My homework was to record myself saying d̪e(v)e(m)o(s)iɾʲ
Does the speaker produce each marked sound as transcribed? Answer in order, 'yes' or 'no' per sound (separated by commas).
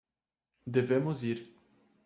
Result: yes, yes, no